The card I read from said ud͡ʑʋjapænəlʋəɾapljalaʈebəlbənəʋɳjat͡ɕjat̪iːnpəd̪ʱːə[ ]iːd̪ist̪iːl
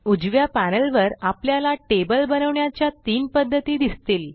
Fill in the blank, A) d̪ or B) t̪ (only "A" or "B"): B